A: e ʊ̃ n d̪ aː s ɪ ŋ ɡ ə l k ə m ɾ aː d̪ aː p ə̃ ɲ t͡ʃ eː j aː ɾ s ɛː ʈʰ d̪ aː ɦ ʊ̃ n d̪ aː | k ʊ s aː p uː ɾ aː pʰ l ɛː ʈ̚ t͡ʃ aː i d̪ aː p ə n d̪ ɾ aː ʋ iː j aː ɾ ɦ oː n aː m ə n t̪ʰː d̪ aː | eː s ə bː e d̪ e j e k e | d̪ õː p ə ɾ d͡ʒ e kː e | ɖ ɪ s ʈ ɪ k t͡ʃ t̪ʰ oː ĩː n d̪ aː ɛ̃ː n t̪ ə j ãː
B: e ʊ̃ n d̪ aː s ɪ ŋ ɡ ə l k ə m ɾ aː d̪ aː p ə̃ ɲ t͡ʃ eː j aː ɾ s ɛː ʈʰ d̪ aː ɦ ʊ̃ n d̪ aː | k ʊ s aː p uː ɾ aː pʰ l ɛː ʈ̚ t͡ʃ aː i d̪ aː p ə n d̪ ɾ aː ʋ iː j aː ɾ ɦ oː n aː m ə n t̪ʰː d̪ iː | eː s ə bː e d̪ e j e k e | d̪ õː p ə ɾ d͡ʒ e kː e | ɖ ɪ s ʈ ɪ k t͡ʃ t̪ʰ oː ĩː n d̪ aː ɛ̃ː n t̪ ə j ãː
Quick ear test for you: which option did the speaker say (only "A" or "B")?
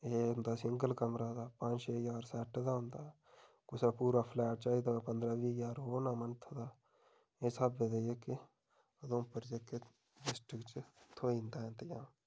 A